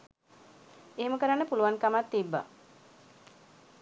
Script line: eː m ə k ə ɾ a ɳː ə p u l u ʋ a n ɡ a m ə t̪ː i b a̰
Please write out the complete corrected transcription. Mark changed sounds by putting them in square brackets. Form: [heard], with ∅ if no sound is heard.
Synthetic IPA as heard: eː m ə k ə ɾ a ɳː ə p u l u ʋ a n [k] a m [a] t̪ː i [bː] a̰